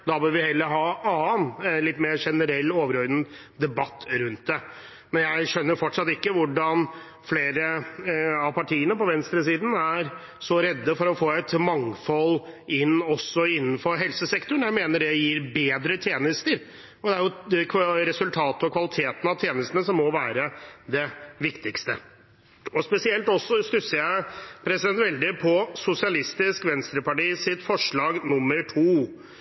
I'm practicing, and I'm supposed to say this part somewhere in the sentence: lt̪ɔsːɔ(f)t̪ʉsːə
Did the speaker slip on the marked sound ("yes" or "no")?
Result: yes